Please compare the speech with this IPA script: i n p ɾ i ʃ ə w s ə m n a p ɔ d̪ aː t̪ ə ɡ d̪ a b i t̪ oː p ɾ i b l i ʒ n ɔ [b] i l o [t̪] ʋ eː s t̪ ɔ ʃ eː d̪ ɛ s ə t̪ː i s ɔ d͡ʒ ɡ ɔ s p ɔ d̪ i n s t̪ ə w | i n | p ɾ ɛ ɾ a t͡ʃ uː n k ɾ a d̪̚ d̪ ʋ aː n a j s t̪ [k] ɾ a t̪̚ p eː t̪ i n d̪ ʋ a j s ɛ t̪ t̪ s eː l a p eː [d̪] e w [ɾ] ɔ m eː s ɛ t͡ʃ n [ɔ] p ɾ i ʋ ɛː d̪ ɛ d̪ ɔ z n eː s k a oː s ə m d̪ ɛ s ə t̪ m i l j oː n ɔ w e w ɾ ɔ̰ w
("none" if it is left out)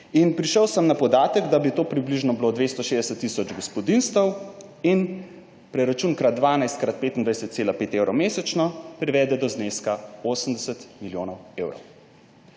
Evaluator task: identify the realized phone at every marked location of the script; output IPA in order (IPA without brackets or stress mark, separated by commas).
b, d̪, k, t̪, ɾ, ɔ